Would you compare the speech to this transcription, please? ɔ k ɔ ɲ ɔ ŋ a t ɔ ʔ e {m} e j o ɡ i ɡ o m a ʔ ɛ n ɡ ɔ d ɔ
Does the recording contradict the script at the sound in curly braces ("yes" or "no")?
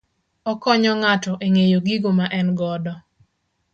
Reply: yes